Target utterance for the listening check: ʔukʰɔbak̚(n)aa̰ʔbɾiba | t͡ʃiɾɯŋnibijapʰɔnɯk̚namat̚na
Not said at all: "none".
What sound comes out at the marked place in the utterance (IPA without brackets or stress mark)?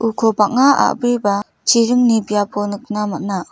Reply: ŋ